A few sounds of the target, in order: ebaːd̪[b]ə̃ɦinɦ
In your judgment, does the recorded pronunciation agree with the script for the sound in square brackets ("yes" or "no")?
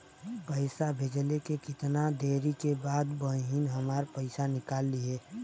yes